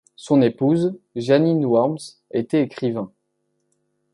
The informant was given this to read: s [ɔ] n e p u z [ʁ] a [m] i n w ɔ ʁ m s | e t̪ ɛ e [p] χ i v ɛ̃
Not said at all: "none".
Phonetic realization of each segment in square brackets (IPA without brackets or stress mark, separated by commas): ɔ̃, ʒ, n, k